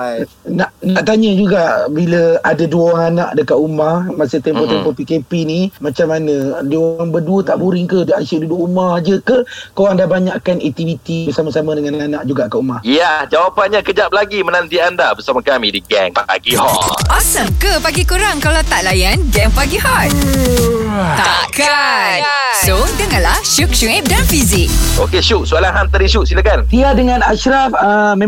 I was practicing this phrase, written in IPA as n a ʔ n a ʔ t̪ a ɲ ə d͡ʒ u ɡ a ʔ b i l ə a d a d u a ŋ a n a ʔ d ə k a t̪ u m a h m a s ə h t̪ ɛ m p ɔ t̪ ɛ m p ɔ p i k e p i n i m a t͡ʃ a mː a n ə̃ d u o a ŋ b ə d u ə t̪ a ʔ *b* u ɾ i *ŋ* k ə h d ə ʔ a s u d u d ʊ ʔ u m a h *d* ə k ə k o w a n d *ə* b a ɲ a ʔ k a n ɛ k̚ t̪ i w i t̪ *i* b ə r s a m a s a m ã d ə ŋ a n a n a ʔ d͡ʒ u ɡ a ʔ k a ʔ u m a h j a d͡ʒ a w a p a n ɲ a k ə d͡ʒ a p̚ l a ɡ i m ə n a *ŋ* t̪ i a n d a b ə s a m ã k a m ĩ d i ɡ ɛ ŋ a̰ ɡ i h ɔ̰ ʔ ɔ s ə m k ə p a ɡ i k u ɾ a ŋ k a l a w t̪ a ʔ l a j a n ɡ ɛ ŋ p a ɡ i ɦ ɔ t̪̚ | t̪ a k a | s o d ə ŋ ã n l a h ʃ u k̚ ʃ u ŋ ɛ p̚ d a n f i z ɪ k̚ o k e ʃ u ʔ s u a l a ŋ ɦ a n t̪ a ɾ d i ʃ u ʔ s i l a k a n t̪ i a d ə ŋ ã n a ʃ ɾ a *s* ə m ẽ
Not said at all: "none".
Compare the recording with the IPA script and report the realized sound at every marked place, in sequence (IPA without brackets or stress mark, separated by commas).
b, ŋ, d͡ʒ, a, i, n, f